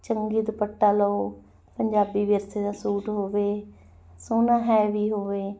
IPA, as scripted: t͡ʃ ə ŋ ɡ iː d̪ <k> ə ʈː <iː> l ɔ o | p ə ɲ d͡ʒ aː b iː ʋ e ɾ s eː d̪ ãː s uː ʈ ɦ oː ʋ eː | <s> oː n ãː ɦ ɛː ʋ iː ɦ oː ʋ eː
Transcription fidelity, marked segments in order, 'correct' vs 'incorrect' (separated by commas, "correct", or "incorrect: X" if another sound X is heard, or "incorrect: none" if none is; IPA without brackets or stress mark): incorrect: p, incorrect: aː, correct